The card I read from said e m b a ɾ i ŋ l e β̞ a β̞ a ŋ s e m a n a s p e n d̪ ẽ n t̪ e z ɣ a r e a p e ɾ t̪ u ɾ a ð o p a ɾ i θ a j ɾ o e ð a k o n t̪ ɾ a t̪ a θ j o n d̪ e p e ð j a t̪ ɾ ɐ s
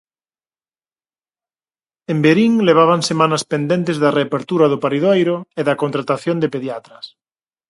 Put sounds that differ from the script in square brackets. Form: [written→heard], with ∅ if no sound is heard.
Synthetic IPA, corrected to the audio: e m b [a→e] ɾ i ŋ l e β̞ a β̞ a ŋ s e m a n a s p e n d̪ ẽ n t̪ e z [ɣ→ð] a r e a p e ɾ t̪ u ɾ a ð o p a ɾ i [θ→ð] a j ɾ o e ð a k o n t̪ ɾ a t̪ a θ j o n d̪ e p e ð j a t̪ ɾ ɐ s

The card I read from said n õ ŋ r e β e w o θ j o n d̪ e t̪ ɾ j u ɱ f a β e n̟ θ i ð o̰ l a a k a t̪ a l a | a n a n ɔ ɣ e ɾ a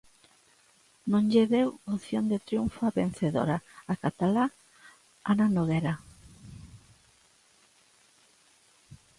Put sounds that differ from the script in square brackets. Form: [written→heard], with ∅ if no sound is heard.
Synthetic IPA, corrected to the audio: n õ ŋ [r→ʎ] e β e w o θ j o n d̪ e t̪ ɾ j u ɱ f a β e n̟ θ [i→e] ð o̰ [l→ɾ] a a k a t̪ a l a | a n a n [ɔ→o] ɣ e ɾ a

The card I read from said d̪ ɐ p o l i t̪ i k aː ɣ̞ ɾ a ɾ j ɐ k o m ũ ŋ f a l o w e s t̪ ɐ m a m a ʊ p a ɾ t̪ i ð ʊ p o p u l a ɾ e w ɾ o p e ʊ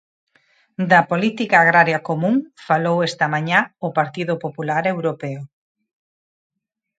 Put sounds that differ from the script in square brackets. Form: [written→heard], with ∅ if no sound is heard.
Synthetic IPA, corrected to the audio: d̪ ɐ p o l i t̪ i k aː ɣ̞ ɾ a ɾ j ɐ k o m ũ ŋ f a l o w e s t̪ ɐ m a [m→ɲ] a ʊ p a ɾ t̪ i ð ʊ p o p u l a ɾ e w ɾ o p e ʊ

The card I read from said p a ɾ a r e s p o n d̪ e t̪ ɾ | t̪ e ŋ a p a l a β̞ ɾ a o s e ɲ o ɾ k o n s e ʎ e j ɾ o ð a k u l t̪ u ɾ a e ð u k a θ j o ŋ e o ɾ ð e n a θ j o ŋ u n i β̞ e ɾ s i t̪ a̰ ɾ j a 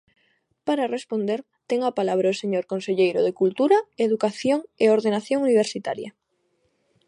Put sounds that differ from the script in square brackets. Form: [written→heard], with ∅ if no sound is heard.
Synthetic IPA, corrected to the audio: p a ɾ a r e s p o n d̪ e [t̪→∅] ɾ | t̪ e ŋ a p a l a β̞ ɾ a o s e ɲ o ɾ k o n s e ʎ e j ɾ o ð [a→e] k u l t̪ u ɾ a e ð u k a θ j o ŋ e o ɾ ð e n a θ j o ŋ u n i β̞ e ɾ s i t̪ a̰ ɾ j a

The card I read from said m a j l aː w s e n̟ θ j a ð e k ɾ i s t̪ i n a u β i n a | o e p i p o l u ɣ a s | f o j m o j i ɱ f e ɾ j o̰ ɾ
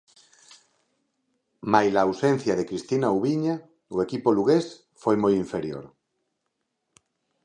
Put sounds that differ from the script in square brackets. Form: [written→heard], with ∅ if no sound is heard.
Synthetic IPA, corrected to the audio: m a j l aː w s e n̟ θ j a ð e k ɾ i s t̪ i n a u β i [n→ɲ] a | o e [p→k] i p o l u ɣ [a→e] s | f o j m o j i ɱ f e ɾ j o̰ ɾ

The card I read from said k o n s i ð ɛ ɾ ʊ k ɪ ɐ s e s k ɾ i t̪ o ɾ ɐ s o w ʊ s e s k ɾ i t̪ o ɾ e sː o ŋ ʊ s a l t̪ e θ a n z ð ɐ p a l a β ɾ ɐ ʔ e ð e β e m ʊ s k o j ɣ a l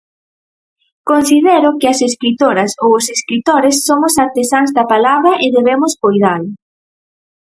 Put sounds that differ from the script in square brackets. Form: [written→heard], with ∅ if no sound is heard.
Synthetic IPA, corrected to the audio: k o n s i ð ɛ ɾ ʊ k ɪ ɐ s e s k ɾ i t̪ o ɾ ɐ s o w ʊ s e s k ɾ i t̪ o ɾ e sː o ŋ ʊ s a [l→ɾ] t̪ e [θ→s] a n z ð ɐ p a l a β ɾ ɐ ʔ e ð e β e m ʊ s k o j [ɣ→ð] a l

